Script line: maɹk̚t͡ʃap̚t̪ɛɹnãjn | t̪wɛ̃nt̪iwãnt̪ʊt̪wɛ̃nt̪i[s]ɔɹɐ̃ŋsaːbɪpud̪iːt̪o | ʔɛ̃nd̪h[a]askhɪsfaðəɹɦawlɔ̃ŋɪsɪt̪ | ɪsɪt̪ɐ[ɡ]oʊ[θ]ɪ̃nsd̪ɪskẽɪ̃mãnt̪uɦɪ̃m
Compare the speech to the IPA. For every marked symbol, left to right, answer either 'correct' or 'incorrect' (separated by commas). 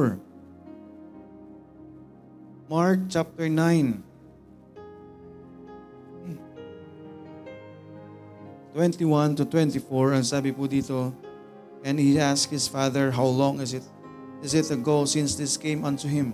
incorrect, incorrect, correct, incorrect